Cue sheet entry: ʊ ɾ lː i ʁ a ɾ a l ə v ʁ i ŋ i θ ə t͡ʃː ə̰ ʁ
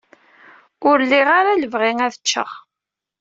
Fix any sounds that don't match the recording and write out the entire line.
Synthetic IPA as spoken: ʊ ɾ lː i ʁ a ɾ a l ə v ʁ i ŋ æ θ ə t͡ʃː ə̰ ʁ